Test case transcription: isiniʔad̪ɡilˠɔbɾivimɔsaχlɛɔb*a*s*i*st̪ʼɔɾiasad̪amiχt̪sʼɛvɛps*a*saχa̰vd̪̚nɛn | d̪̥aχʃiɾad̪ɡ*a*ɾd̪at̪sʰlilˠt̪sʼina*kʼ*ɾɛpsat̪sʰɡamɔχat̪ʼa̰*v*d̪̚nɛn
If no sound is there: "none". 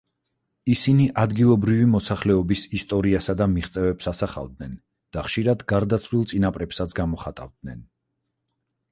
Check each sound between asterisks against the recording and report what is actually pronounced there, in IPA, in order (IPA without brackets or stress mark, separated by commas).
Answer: i, i, a, a, pʼ, v